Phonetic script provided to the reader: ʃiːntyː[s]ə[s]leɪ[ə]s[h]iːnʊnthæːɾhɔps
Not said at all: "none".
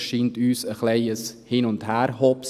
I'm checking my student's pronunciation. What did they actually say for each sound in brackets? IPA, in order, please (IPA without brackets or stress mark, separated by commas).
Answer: s, χ, ə, h